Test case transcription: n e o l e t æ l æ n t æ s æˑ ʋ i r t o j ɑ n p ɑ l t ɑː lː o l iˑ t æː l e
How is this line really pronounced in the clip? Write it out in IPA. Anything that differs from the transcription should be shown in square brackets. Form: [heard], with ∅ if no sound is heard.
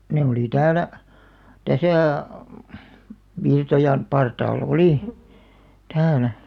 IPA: n e o l [i] t [æː] l æ [∅] t æ s æˑ ʋ i r t o j ɑ n p ɑ [r] t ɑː lː o l iˑ t æː l [æ]